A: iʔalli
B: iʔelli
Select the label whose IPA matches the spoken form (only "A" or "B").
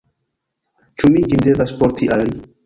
A